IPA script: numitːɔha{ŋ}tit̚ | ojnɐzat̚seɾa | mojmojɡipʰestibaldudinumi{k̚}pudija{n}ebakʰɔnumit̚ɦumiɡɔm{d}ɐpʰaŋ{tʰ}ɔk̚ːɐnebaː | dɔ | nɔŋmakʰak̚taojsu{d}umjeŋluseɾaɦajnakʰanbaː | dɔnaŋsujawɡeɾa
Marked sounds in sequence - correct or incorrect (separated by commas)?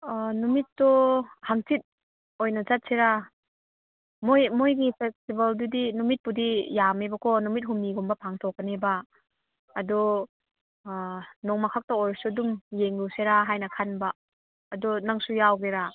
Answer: correct, incorrect, incorrect, incorrect, correct, correct